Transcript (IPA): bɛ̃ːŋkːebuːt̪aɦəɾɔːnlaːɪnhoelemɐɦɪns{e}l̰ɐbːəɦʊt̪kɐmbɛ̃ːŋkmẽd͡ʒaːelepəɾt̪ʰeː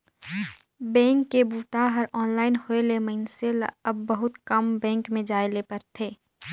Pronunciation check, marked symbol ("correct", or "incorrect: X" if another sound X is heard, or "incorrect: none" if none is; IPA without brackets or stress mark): correct